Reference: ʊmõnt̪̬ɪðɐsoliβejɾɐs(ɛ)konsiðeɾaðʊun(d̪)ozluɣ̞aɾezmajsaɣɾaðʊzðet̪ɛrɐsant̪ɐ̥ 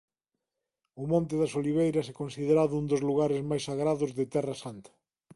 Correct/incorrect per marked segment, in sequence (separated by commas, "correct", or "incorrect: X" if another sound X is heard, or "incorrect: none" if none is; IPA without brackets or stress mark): correct, correct